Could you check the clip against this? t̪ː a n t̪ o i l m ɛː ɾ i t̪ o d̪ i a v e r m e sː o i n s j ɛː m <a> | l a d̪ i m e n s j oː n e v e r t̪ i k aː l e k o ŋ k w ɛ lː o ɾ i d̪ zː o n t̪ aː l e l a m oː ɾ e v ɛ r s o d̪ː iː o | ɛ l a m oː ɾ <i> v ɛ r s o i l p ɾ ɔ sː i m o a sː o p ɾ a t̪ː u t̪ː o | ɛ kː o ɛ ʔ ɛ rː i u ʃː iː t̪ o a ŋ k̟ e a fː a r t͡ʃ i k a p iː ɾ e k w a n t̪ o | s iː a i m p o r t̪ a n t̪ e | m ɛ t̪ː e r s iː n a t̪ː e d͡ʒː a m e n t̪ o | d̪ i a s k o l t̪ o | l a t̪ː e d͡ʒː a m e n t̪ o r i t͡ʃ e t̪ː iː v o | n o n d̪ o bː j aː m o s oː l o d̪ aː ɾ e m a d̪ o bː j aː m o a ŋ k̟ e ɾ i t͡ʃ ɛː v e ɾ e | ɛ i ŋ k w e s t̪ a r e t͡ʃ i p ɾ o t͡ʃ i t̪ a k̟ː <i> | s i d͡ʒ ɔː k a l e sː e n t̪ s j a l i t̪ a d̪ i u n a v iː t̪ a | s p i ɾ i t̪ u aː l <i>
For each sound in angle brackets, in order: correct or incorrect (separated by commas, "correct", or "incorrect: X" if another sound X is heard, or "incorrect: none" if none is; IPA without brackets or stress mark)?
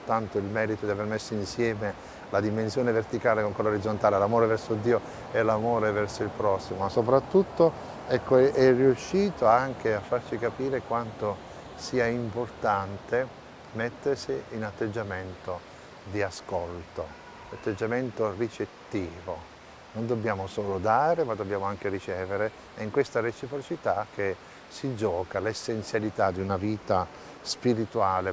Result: incorrect: e, incorrect: e, incorrect: e, incorrect: e